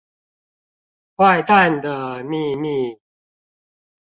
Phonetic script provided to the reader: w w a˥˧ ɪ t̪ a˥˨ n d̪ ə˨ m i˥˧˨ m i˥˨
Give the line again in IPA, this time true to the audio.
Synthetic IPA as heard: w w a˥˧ ɪ t̪ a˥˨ n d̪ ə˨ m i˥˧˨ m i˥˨